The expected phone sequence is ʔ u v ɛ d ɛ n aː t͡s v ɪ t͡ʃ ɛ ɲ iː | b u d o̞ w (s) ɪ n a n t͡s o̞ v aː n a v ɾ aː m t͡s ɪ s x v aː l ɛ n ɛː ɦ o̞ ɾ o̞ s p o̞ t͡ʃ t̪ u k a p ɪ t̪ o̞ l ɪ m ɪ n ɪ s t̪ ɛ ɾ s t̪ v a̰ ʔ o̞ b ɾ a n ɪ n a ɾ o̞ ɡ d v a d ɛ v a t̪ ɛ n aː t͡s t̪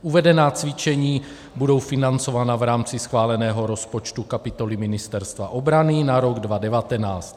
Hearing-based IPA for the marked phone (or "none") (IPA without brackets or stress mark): f